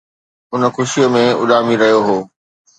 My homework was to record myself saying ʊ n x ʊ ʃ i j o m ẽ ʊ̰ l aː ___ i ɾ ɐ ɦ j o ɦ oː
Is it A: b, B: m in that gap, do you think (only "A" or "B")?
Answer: B